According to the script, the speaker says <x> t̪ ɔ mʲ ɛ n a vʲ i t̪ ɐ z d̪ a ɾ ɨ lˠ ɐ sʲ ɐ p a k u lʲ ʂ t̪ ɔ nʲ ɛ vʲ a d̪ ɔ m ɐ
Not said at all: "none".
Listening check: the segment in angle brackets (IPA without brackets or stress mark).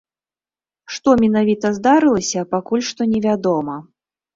ʂ